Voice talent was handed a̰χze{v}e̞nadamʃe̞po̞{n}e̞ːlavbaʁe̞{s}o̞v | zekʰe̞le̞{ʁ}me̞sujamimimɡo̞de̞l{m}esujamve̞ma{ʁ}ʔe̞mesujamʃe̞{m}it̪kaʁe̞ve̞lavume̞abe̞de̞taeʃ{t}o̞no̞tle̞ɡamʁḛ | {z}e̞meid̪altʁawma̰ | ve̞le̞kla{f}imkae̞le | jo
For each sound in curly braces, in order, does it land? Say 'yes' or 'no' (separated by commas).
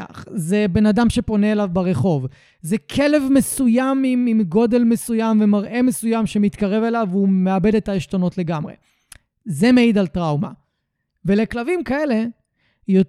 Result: no, yes, no, no, yes, yes, yes, yes, yes, no